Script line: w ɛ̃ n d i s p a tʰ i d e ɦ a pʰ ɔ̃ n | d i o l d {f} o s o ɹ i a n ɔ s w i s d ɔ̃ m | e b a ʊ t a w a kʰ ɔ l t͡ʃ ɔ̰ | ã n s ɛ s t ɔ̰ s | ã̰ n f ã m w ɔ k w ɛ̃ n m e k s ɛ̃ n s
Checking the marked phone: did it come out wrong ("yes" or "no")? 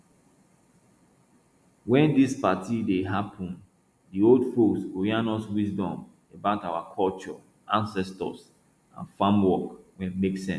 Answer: no